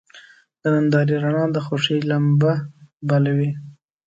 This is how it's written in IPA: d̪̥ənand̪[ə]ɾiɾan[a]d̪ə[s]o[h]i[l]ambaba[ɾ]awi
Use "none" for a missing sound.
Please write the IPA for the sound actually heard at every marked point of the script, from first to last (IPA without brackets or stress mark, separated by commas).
ɑ, ɑ, x, ʂ, l, l